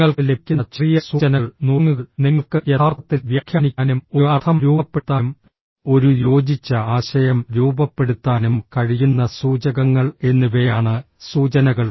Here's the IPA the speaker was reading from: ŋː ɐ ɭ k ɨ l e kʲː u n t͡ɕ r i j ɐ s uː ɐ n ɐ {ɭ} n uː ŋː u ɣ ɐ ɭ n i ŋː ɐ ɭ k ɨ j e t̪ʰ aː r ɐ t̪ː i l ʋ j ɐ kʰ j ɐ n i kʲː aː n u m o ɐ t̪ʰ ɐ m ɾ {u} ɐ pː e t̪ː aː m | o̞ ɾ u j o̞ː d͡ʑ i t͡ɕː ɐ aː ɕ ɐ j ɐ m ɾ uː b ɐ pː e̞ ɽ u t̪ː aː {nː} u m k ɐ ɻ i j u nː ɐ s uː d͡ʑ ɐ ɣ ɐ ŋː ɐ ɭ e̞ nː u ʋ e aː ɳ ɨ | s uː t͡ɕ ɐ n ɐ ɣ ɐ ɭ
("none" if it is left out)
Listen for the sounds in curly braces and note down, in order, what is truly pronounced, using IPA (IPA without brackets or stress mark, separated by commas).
ɭ, uː, n